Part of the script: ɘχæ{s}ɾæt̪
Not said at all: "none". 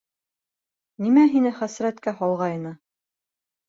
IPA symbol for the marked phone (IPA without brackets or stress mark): s